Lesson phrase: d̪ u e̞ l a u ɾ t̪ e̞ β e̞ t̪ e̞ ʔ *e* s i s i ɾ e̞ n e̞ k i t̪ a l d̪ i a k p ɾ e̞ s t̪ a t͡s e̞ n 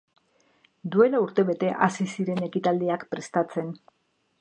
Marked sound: incorrect: a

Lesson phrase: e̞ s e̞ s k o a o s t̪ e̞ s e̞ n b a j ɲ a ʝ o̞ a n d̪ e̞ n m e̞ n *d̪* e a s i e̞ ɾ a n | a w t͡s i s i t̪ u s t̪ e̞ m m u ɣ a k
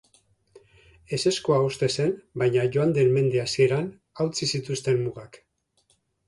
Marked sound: correct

